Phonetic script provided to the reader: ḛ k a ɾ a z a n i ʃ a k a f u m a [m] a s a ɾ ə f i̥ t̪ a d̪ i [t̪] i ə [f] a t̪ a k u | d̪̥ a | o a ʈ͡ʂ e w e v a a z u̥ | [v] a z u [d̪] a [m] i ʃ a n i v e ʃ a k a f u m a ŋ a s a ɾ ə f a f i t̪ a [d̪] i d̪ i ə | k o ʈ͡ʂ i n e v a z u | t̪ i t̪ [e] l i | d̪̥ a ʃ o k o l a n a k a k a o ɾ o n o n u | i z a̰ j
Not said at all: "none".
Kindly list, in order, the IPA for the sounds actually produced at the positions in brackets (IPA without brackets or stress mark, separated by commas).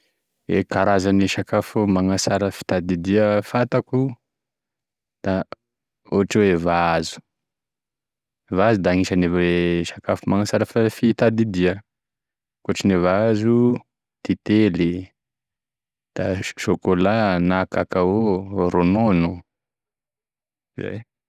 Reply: ŋ, d̪, f, v, d̪, ŋ, d̪, e